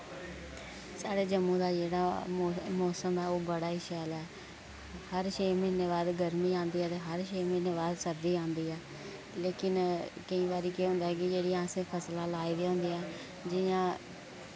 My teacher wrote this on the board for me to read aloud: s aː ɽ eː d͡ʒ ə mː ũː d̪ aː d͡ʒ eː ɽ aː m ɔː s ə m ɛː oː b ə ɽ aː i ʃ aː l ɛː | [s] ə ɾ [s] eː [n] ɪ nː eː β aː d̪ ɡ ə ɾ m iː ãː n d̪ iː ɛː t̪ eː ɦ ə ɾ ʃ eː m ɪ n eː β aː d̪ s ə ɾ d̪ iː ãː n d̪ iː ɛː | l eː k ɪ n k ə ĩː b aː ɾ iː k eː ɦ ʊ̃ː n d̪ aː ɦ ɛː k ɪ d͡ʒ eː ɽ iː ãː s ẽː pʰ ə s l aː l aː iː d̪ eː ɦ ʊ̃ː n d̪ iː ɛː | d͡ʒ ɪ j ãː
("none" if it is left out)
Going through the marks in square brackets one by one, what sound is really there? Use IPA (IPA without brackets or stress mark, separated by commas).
h, ʃ, m